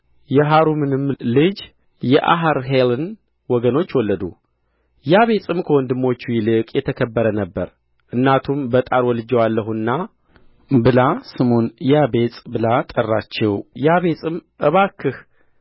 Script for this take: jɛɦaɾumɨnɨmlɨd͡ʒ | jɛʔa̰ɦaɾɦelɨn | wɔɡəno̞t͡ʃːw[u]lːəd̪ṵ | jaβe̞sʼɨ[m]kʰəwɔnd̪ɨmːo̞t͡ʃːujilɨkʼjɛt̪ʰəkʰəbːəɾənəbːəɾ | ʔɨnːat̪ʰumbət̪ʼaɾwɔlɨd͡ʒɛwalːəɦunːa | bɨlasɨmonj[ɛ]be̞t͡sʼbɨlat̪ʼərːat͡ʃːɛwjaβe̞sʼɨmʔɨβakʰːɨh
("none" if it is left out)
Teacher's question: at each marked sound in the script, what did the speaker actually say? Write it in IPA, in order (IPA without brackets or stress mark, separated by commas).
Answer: ɔ, m, a